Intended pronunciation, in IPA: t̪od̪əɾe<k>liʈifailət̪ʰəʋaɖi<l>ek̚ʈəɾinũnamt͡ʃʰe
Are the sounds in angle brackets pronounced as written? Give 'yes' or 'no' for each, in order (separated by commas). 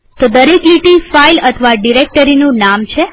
yes, no